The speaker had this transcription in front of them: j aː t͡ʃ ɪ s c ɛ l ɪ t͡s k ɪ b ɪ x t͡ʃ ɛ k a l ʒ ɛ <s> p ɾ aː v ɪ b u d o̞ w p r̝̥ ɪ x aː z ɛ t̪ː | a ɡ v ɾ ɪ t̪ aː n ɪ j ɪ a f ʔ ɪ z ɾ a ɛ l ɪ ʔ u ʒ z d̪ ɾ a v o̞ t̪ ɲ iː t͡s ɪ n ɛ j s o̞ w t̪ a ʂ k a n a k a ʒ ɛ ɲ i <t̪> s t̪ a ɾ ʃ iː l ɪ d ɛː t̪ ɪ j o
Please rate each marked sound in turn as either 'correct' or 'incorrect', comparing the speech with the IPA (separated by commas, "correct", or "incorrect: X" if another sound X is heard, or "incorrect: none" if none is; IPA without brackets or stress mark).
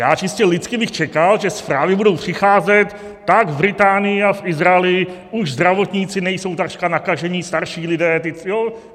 correct, incorrect: none